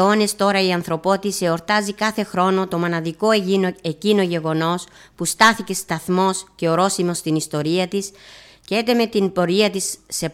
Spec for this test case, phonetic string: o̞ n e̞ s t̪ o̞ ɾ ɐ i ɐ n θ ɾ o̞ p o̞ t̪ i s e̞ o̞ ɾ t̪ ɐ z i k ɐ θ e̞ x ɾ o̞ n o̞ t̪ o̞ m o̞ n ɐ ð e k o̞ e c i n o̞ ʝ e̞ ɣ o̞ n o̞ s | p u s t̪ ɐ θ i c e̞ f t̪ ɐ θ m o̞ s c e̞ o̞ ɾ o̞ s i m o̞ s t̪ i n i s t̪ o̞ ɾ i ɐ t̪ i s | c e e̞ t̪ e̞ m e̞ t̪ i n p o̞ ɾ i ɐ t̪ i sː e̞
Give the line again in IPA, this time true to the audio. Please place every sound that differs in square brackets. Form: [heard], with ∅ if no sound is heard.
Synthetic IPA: o̞ n e̞ s t̪ o̞ ɾ ɐ i ɐ n θ ɾ o̞ p o̞ t̪ i s e̞ o̞ ɾ t̪ ɐ z i k ɐ θ e̞ x ɾ o̞ n o̞ t̪ o̞ m o̞ n ɐ ð [i] k o̞ e c i n o̞ ʝ e̞ ɣ o̞ n o̞ s | p u s t̪ ɐ θ i c e̞ [s] t̪ ɐ θ m o̞ s c e̞ o̞ ɾ o̞ s i m o̞ s t̪ i n i s t̪ o̞ ɾ i ɐ t̪ i s | c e e̞ t̪ e̞ m e̞ t̪ i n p o̞ ɾ i ɐ t̪ i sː e̞